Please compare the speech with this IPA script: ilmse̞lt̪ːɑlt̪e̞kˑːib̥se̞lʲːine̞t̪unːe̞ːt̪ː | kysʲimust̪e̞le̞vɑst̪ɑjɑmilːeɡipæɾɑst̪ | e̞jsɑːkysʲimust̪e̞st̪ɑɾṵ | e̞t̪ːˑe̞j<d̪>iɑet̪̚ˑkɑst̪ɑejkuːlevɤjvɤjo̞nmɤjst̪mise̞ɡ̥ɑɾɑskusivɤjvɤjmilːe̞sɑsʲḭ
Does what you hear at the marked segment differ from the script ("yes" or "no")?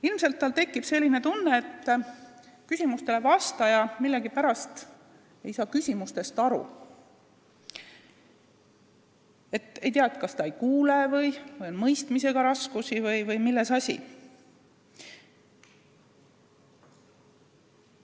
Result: yes